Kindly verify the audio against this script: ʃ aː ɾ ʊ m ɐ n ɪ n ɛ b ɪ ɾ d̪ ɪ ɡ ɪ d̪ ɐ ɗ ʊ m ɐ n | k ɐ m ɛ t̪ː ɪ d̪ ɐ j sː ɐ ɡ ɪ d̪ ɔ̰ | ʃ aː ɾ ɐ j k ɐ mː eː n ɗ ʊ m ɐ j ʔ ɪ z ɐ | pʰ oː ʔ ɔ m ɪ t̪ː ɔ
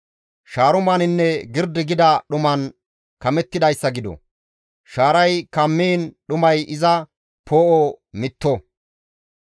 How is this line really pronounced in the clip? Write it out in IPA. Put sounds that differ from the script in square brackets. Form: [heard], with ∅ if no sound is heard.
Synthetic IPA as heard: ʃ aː ɾ ʊ m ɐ n ɪ [nː] ɛ [ɡ] ɪ ɾ d̪ ɪ ɡ ɪ d̪ ɐ ɗ ʊ m ɐ n | k ɐ m ɛ t̪ː ɪ d̪ ɐ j sː ɐ ɡ ɪ d̪ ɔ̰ | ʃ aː ɾ ɐ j k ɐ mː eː n ɗ ʊ m ɐ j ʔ ɪ z ɐ | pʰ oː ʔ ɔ m ɪ t̪ː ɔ